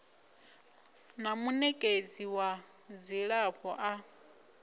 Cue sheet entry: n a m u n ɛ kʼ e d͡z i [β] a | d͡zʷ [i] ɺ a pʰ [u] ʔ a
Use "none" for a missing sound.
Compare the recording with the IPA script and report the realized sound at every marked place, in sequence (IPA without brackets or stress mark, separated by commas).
w, i, ɔ